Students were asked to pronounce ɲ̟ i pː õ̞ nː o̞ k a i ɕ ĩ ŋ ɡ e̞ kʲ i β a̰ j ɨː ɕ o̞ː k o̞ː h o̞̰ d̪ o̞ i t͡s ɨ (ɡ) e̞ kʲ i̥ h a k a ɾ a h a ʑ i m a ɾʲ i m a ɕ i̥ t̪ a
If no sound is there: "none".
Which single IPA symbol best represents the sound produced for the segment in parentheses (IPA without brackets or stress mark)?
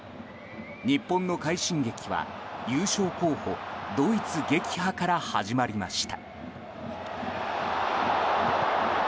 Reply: ɡ